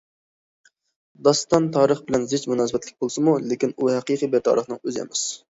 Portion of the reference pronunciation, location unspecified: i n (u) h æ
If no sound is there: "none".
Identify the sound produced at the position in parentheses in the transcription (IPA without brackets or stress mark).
u